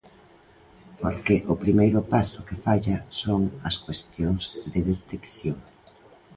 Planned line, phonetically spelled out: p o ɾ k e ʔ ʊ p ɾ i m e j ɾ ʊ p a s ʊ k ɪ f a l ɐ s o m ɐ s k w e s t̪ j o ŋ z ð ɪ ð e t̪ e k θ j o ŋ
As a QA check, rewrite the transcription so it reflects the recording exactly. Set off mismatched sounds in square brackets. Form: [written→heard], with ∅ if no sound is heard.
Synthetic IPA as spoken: p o ɾ k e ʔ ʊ p ɾ i m e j ɾ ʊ p a s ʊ k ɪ f a [l→ʎ] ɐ s o [m→ŋ] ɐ s k w e s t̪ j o ŋ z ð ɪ ð e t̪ e k θ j o ŋ